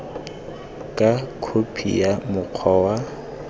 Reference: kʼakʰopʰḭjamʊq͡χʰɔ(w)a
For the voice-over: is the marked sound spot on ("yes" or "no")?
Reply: yes